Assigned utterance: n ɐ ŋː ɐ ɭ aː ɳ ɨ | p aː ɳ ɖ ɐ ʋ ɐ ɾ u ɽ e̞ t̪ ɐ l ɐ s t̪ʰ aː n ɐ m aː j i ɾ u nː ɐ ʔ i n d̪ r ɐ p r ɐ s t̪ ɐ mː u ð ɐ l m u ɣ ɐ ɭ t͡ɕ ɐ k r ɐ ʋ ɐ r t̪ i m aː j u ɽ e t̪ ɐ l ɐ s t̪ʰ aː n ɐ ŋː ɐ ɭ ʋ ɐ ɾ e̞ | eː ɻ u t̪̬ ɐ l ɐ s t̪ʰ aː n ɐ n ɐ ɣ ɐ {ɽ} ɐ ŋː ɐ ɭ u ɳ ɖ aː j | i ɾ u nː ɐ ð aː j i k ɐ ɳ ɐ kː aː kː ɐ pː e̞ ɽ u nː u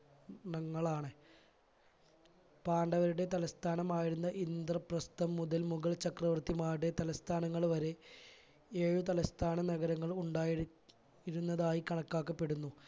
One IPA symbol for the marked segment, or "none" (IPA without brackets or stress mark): ɾ